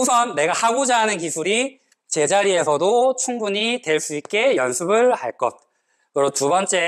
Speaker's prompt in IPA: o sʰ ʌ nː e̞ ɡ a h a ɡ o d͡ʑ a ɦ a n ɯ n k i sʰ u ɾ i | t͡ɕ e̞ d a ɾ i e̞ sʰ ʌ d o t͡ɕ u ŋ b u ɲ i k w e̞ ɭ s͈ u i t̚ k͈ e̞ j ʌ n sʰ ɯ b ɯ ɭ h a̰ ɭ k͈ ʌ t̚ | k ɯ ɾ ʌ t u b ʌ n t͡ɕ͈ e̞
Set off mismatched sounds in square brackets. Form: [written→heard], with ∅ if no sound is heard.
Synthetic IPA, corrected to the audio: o sʰ ʌ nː e̞ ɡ a h a ɡ o d͡ʑ a ɦ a n ɯ n k i sʰ u ɾ i | t͡ɕ e̞ [d→d͡ʑ] a ɾ i e̞ sʰ ʌ d o [t͡ɕ→t͡ɕʰ] u ŋ b u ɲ i [k→t] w e̞ ɭ s͈ u i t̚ k͈ e̞ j ʌ n sʰ ɯ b ɯ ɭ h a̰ ɭ k͈ ʌ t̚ | k ɯ ɾ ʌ t u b ʌ n t͡ɕ͈ e̞